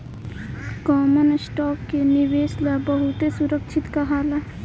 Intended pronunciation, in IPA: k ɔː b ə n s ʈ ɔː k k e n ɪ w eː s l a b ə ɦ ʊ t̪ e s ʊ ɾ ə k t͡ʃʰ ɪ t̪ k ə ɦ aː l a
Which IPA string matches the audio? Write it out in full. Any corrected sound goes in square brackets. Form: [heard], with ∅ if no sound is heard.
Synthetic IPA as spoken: k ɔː [m] ə n s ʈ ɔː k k e n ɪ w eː s l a b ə ɦ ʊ t̪ e s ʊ ɾ ə k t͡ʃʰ ɪ t̪ k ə ɦ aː l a